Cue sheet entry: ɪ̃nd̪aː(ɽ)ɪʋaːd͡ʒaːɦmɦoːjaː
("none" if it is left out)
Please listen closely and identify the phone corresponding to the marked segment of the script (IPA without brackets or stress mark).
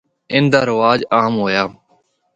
ɾ